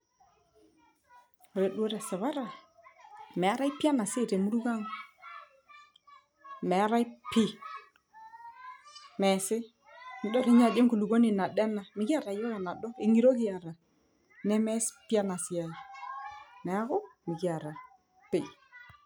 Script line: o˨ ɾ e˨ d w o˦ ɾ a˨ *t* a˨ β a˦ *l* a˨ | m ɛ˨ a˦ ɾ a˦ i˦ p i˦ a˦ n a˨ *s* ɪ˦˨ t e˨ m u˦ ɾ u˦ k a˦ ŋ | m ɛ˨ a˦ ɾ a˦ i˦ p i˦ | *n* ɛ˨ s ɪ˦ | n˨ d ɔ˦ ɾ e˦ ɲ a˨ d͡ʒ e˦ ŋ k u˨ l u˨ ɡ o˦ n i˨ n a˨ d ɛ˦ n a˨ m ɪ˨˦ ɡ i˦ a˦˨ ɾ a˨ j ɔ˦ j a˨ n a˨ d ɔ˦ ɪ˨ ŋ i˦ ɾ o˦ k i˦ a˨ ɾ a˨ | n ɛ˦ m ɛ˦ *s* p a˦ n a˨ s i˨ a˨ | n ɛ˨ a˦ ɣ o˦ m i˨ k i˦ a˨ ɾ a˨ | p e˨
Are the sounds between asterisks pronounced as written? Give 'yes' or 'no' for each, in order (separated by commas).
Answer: no, no, yes, no, yes